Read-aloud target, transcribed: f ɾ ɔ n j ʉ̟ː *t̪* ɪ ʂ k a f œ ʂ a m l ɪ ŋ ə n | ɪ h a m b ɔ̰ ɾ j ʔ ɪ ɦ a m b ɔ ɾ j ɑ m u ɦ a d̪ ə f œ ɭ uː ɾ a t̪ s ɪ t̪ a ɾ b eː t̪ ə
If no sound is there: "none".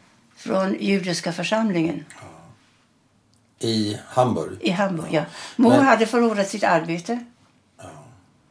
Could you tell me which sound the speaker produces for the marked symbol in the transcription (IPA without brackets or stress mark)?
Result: d̪